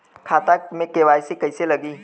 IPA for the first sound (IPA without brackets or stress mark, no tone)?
kʰ